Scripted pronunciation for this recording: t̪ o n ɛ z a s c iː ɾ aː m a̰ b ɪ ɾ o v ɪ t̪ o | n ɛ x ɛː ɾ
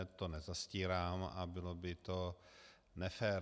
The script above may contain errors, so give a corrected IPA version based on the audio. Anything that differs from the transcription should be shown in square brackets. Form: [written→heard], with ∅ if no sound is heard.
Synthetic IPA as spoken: t̪ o n ɛ z a s c iː ɾ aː m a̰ b ɪ [ɾ→l] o [v→b] ɪ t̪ o | n ɛ [x→f] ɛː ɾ